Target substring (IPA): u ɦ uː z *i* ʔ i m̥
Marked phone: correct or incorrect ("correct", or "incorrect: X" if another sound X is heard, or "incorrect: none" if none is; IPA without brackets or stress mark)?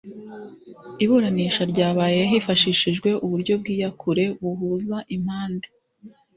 incorrect: a